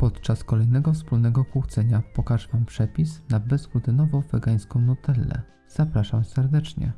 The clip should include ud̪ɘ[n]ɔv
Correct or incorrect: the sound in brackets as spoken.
correct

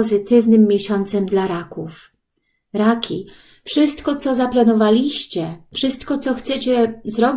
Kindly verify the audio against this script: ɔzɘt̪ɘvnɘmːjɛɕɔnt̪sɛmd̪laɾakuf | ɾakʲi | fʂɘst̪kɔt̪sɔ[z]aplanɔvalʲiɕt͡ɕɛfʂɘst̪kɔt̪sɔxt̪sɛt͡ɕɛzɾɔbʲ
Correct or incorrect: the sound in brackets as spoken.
correct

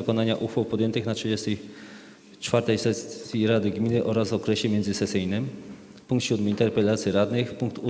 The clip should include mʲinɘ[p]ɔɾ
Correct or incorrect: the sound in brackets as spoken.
incorrect: ʔ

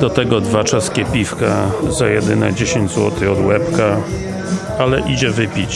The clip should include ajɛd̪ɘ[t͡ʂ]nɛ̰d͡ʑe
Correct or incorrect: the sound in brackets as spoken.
incorrect: none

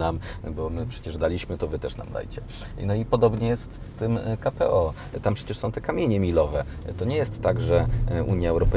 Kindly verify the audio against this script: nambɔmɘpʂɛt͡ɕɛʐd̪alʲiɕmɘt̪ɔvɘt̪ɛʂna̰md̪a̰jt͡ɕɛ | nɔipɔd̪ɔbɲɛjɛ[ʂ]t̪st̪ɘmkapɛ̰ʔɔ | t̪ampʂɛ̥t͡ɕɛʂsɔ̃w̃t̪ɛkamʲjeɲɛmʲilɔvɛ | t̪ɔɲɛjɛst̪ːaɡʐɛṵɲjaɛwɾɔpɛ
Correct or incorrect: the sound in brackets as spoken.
incorrect: s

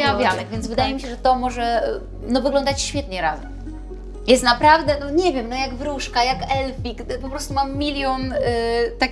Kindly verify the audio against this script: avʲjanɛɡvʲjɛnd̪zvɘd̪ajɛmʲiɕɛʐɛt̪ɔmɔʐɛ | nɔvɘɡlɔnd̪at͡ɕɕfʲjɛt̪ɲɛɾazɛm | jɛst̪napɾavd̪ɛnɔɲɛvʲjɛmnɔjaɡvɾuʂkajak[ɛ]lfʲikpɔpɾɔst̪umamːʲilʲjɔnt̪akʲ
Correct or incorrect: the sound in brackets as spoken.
correct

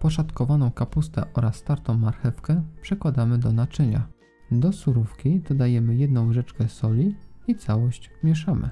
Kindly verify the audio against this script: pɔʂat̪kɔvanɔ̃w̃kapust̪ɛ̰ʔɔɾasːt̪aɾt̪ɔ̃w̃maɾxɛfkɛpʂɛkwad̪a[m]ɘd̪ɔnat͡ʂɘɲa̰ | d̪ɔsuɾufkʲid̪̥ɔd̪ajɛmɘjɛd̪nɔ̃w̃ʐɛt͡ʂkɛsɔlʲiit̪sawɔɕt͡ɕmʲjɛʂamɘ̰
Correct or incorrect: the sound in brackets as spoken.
correct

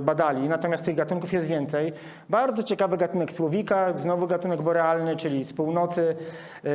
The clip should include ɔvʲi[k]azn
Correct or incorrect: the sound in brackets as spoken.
correct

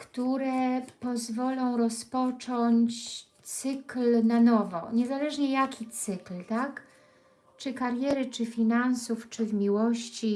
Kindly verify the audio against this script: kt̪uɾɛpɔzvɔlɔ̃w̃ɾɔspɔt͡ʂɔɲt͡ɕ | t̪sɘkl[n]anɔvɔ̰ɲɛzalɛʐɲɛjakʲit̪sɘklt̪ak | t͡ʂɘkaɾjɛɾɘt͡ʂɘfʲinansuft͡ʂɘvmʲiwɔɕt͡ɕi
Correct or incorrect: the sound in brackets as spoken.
correct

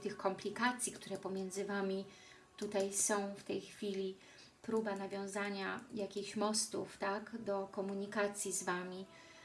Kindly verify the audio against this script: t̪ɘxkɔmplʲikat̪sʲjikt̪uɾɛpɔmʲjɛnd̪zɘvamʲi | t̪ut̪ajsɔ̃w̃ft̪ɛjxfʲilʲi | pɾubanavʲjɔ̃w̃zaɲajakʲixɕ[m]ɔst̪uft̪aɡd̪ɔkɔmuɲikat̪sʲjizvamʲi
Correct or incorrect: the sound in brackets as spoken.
correct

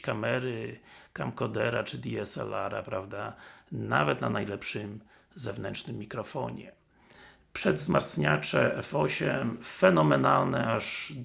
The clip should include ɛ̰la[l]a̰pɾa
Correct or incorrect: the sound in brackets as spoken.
incorrect: ɾ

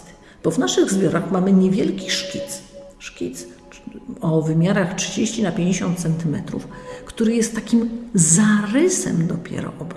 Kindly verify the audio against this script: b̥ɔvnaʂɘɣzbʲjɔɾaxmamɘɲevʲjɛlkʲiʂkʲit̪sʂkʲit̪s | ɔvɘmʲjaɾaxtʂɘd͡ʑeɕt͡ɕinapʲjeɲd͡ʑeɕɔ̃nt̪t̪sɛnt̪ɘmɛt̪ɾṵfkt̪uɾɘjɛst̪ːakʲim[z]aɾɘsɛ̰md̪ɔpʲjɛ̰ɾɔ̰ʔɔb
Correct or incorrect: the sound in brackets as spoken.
correct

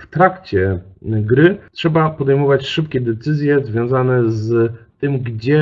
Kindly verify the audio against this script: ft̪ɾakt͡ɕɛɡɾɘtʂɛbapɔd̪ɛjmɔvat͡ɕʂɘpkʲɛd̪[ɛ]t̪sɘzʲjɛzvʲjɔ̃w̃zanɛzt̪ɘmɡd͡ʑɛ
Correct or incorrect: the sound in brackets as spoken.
correct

